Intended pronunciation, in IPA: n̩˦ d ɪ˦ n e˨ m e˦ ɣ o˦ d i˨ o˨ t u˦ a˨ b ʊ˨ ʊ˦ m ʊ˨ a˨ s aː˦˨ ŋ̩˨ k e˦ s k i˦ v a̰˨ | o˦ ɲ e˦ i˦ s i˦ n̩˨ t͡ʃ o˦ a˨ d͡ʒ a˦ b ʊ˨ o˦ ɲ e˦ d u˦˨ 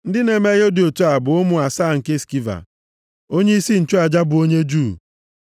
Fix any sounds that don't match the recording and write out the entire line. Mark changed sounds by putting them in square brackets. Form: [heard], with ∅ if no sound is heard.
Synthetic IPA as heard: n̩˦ d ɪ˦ n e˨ m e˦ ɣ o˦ d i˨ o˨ t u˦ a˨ b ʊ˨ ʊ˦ m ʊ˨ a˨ s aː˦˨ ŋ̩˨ k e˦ s k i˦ v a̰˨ | o˦ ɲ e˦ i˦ s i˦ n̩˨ t͡ʃ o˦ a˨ d͡ʒ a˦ b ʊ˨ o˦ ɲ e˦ [d͡ʒ] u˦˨

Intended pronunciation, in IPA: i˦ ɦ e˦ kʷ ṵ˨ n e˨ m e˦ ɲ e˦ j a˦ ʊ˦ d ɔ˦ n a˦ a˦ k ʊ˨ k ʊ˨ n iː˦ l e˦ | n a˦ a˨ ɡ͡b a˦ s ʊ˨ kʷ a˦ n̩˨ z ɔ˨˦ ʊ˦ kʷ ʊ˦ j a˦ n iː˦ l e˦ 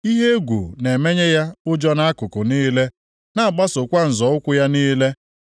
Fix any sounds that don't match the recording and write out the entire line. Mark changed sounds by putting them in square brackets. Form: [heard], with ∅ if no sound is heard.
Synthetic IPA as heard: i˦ ɦ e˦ [ɡʷ] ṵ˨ n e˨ m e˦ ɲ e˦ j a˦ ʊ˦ [d͡ʒ] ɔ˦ n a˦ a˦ k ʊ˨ k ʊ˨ n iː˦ l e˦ | n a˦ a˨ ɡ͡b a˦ s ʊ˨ kʷ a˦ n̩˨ z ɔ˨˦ ʊ˦ kʷ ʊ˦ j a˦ n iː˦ l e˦

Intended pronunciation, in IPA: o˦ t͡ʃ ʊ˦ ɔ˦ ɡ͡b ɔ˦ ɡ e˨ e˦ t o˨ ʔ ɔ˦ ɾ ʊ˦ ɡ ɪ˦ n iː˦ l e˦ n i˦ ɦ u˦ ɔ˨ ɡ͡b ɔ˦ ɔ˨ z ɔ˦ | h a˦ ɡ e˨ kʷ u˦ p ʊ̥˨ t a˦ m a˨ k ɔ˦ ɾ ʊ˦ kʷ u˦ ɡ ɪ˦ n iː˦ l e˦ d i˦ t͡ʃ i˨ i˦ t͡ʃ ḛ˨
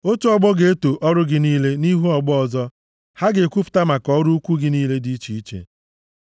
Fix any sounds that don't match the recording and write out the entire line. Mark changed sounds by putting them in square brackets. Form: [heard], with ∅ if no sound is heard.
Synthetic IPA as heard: o˦ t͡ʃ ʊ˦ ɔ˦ ɡ͡b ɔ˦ ɡ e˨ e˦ t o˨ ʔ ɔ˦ ɾ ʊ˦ ɡ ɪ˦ n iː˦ l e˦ n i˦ ɦ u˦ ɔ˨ ɡ͡b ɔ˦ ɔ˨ z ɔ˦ | h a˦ ɡ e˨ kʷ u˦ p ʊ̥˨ t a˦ m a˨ k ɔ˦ ɾ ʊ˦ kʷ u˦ ɡ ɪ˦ n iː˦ l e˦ d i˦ t͡ʃ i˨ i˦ t͡ʃ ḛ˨

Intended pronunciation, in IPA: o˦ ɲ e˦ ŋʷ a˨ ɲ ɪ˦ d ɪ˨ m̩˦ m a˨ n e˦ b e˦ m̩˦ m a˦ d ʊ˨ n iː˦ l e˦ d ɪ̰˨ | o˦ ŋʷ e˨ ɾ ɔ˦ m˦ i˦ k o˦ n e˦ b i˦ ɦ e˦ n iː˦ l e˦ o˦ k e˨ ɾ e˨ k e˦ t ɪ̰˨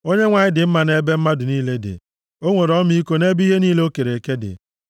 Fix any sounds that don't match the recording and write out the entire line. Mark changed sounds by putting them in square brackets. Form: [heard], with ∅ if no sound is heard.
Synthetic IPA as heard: o˦ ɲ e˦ ŋʷ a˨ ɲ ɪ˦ d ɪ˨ m̩˦ m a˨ n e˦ b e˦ m̩˦ m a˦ d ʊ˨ n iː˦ l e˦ d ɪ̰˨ | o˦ ŋʷ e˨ ɾ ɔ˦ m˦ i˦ k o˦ n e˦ b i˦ ɦ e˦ n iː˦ l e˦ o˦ k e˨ ɾ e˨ k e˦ [d] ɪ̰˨

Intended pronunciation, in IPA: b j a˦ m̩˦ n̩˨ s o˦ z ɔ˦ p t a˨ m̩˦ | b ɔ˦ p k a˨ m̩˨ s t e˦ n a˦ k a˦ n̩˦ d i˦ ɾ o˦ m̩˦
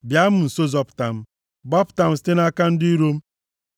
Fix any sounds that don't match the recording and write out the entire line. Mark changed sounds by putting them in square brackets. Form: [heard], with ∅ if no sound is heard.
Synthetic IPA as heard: b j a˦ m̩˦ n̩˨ s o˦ z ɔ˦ p t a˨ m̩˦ | b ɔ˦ p [t] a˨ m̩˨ s t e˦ n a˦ k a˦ n̩˦ d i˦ ɾ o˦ m̩˦

